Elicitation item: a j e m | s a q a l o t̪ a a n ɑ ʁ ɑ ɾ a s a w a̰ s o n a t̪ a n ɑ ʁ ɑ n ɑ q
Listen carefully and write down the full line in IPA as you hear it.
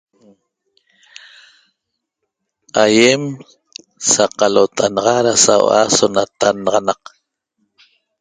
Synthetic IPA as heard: a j e m | s a q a l o t̪ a a n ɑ ʁ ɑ ɾ a s a w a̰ s o n a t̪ a n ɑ ʁ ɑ n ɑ q